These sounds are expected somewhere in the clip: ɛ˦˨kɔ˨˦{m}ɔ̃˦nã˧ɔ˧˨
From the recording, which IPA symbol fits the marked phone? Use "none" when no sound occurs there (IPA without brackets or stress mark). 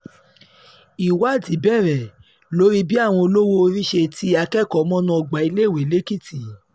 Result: m